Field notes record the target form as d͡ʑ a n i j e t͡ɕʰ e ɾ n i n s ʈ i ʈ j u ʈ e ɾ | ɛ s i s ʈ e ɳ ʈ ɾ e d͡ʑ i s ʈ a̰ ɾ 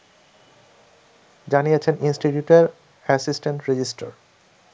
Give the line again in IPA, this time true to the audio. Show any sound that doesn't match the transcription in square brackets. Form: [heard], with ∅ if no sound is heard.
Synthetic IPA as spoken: d͡ʑ a n i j e t͡ɕʰ e [∅] n i n s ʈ i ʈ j u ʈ e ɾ | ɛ s i s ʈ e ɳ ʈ ɾ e d͡ʑ i s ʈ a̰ ɾ